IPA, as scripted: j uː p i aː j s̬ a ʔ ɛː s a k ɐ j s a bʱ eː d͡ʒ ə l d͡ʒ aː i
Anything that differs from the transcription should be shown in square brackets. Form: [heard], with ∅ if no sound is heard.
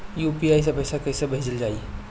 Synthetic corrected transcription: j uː p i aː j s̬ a [p] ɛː s a k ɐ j s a bʱ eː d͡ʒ ə l d͡ʒ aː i